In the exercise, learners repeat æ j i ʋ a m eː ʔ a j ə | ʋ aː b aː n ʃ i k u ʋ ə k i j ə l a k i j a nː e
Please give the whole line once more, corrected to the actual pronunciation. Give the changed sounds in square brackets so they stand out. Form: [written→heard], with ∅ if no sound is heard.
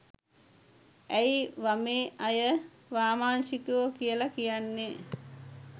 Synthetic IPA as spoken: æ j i ʋ a m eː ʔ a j ə | ʋ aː [b→m] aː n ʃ i k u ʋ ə k i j ə l a k i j a nː e